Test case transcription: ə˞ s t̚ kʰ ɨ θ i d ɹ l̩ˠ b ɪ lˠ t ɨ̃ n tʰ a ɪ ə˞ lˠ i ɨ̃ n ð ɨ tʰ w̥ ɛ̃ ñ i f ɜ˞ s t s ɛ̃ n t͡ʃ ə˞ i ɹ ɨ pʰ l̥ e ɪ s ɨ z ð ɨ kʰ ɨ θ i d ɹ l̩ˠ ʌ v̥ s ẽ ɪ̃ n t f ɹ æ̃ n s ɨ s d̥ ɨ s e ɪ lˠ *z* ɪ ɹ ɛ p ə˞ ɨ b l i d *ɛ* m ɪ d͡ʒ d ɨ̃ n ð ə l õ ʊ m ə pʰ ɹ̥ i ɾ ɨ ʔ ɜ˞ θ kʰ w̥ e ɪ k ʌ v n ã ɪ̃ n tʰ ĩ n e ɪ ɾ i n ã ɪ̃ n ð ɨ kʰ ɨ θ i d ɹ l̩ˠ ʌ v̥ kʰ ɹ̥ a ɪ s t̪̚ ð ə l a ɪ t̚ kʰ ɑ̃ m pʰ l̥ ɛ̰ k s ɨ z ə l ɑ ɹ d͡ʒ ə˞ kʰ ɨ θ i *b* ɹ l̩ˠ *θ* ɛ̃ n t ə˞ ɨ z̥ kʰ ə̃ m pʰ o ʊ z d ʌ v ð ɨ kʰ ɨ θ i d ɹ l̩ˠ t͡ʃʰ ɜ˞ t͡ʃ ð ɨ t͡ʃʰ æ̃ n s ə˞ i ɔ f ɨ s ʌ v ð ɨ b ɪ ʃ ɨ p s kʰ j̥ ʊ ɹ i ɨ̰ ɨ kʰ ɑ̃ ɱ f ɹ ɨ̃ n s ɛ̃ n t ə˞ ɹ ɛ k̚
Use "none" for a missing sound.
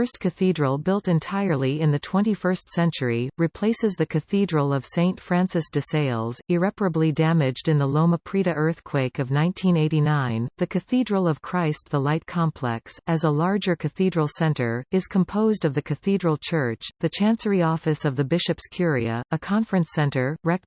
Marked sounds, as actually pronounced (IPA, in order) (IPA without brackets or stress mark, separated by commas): z, æ, d, s